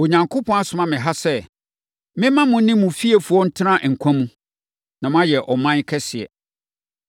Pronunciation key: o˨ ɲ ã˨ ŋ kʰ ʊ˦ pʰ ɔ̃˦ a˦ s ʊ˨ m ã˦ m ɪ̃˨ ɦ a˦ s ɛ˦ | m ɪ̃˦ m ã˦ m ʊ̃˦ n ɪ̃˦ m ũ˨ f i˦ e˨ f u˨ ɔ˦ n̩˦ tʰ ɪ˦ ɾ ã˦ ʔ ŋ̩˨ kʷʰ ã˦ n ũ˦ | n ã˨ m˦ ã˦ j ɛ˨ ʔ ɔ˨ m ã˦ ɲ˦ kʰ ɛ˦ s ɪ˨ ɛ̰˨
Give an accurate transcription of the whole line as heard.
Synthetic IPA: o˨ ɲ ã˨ ŋ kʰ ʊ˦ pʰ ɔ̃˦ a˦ s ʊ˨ m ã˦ m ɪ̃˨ ɦ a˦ s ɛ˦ | m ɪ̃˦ m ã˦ m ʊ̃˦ n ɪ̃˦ m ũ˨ f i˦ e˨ f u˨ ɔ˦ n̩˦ tʰ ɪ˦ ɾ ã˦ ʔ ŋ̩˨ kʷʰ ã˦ m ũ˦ | n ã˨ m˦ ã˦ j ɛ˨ ʔ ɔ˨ m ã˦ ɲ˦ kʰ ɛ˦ s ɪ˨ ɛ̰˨